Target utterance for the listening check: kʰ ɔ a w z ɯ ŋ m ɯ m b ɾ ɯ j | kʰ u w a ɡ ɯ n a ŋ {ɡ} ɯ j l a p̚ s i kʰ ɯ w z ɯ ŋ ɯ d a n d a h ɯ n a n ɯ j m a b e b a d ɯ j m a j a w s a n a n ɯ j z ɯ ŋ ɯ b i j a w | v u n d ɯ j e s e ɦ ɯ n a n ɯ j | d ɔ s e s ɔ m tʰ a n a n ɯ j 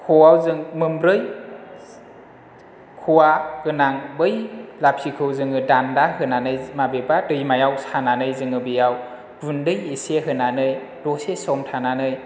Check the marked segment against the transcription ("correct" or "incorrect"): incorrect